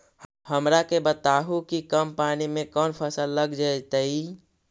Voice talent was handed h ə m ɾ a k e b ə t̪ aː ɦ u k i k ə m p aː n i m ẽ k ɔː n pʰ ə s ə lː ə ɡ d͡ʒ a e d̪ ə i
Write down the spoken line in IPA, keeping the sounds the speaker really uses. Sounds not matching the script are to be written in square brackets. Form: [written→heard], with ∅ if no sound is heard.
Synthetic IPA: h ə m ɾ a k e b ə t̪ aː ɦ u k i k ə m p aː n i m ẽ k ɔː n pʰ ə s ə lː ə ɡ d͡ʒ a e [d̪→t̪] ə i